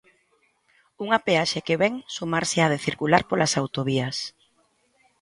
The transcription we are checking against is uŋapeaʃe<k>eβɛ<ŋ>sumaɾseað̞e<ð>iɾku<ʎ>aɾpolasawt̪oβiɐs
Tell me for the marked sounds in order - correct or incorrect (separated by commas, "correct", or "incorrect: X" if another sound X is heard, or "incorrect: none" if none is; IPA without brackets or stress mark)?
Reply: correct, correct, incorrect: θ, incorrect: l